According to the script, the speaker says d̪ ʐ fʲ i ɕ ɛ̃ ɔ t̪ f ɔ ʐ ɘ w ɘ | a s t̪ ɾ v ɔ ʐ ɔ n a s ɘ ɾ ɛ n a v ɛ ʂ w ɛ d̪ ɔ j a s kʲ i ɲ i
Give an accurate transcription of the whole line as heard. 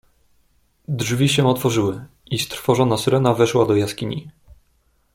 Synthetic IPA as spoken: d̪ ʐ vʲ i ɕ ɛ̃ ɔ t̪ f ɔ ʐ ɘ w ɘ | i s t̪ ɾ f ɔ ʐ ɔ n a s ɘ ɾ ɛ n a v ɛ ʂ w a d̪ ɔ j a s kʲ i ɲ i